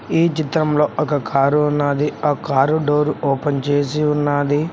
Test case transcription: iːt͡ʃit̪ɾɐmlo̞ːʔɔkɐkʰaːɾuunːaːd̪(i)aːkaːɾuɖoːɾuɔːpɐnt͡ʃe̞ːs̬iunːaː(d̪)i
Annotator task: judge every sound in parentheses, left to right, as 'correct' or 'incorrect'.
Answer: correct, correct

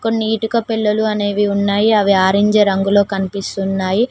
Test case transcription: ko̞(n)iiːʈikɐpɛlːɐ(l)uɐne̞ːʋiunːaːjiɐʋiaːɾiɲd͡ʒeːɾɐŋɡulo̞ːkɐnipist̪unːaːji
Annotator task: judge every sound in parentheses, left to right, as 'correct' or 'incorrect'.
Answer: incorrect, correct

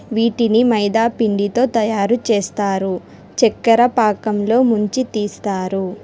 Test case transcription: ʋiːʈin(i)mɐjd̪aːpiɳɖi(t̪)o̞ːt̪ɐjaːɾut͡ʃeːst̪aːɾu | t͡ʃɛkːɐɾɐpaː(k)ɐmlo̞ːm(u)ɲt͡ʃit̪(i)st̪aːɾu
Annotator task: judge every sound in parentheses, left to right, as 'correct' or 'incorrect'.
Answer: correct, correct, correct, correct, incorrect

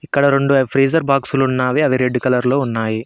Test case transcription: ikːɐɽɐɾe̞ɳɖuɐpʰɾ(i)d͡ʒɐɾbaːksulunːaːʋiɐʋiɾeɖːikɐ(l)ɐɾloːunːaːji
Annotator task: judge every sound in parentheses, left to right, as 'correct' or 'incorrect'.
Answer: incorrect, correct

